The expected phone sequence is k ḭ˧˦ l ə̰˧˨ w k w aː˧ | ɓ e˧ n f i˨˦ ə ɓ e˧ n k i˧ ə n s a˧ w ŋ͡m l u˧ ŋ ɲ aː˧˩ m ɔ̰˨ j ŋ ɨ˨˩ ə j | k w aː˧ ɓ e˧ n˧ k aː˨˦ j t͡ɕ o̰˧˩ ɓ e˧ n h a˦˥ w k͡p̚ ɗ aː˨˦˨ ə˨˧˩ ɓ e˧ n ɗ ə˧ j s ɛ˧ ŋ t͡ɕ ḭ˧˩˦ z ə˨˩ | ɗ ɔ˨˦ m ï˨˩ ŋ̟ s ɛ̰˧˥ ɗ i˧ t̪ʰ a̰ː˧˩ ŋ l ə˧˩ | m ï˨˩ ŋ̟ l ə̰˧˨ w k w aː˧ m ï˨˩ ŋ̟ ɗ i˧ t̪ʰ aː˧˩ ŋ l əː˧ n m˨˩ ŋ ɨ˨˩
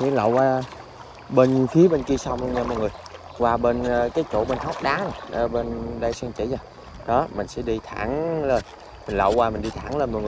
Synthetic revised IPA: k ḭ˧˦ l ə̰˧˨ w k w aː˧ | ɓ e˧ n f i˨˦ ə ɓ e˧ n k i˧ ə s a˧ w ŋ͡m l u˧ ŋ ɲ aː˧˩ m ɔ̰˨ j ŋ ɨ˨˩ ə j | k w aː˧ ɓ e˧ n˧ k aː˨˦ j t͡ɕ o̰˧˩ ɓ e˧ n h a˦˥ w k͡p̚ ɗ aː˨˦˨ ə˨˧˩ ɓ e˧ n ɗ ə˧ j s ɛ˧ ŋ t͡ɕ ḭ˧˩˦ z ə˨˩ | ɗ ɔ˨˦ m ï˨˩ ŋ̟ s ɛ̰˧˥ ɗ i˧ t̪ʰ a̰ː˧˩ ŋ l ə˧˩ | m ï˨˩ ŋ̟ l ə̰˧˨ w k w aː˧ m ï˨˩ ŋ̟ ɗ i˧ t̪ʰ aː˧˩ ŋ l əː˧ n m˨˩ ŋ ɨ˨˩